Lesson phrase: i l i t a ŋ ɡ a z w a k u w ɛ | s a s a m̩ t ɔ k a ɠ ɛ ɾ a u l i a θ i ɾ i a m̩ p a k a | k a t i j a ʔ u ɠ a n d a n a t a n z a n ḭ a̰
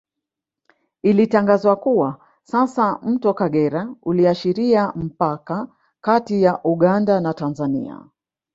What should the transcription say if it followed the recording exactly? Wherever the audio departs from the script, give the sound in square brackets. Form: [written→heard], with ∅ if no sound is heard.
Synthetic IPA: i l i t a ŋ ɡ a z w a k u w [ɛ→a] | s a s a m̩ t ɔ k a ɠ ɛ ɾ a u l i a [θ→ʃ] i ɾ i a m̩ p a k a | k a t i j a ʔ u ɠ a n d a n a t a n z a n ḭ a̰